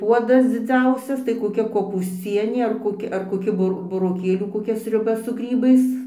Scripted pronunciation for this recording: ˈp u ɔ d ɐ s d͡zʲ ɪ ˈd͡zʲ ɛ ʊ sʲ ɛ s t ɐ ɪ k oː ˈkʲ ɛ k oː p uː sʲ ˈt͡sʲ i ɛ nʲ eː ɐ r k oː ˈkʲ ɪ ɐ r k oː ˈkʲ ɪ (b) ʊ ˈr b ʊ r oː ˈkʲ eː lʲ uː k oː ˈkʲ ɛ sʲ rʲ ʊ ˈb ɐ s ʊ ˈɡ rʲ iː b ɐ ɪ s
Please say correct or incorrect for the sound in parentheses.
correct